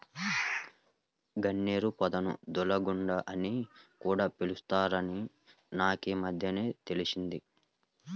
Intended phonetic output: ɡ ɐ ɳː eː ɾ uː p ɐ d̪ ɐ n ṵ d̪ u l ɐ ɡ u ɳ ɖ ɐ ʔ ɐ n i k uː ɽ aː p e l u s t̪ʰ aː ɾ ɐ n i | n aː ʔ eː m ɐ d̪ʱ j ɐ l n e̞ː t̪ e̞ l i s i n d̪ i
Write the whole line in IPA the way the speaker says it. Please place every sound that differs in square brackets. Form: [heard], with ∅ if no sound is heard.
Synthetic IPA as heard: ɡ ɐ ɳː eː ɾ [u] p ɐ d̪ ɐ n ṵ d̪ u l ɐ ɡ u ɳ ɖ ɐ ʔ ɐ n i k uː ɽ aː p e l u s [t̪] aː ɾ ɐ n i | n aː [k] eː m ɐ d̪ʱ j ɐ [∅] n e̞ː t̪ e̞ l i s i n d̪ i